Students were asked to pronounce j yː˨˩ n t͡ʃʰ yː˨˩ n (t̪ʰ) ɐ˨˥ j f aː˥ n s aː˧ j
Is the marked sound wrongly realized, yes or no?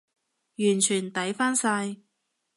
yes